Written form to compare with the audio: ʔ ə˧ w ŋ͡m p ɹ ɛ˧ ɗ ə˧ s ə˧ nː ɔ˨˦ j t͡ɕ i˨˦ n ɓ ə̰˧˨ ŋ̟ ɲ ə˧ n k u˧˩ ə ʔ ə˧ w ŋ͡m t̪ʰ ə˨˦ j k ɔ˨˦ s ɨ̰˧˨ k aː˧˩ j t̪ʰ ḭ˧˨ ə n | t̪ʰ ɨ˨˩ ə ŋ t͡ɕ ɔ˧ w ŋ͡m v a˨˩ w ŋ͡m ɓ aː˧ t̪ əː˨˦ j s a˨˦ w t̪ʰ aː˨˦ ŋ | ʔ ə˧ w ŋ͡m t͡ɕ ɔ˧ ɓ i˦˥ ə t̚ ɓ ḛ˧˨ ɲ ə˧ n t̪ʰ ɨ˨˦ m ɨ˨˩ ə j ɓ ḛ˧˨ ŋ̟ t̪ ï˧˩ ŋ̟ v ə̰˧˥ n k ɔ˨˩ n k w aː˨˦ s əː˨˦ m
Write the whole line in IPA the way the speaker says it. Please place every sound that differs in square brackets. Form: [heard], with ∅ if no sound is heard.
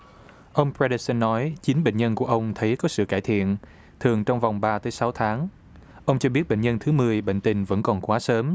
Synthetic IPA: ʔ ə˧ w ŋ͡m p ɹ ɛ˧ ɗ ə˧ s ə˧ nː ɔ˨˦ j t͡ɕ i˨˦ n ɓ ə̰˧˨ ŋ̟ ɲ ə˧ n k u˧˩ ə ʔ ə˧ w ŋ͡m t̪ʰ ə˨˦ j k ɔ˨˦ s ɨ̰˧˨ k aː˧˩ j t̪ʰ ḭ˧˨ ə n | t̪ʰ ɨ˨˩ ə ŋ t͡ɕ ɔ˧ w ŋ͡m v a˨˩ w ŋ͡m ɓ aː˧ t̪ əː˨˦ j s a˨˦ w t̪ʰ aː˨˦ ŋ | ʔ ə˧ w ŋ͡m t͡ɕ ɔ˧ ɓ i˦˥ ə t̚ ɓ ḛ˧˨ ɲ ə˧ n t̪ʰ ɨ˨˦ m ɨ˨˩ ə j ɓ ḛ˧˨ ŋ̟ t̪ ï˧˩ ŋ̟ v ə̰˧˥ n k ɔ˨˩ n k w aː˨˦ s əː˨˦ m